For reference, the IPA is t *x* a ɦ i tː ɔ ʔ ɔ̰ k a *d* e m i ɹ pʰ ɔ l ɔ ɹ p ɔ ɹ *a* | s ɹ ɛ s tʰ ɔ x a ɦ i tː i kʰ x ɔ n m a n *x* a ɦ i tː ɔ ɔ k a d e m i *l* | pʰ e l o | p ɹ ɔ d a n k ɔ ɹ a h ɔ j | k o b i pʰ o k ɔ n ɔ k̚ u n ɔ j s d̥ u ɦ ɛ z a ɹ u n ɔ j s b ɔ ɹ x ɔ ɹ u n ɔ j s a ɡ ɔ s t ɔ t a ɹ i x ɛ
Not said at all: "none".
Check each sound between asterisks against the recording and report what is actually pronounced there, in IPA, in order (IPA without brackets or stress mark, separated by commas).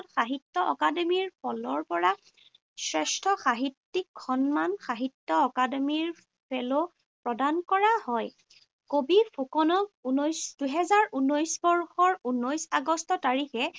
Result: x, d, a, x, ɹ